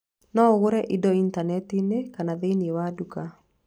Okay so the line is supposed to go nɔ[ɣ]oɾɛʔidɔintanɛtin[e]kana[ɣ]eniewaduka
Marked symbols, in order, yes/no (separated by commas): yes, yes, no